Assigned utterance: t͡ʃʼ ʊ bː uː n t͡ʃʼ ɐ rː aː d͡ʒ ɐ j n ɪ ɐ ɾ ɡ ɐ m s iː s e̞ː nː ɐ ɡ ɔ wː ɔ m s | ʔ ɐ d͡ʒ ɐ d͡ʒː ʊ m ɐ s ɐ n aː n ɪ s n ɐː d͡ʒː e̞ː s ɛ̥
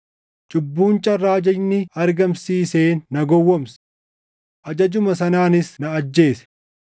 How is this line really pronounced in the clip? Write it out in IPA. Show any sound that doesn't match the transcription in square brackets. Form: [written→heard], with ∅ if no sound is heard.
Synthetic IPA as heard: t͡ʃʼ ʊ bː uː n t͡ʃʼ ɐ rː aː d͡ʒ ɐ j n ɪ ɐ ɾ ɡ ɐ m s iː s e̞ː nː ɐ ɡ ɔ wː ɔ m s | ʔ ɐ d͡ʒ ɐ [d͡ʒː→d͡ʒ] ʊ m ɐ s ɐ n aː n ɪ s n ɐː d͡ʒː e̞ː s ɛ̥